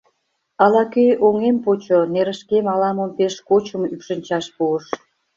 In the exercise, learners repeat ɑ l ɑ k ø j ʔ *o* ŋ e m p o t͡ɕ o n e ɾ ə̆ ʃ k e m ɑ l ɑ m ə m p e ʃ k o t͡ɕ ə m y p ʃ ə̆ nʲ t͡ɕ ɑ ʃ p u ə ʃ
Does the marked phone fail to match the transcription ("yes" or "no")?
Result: no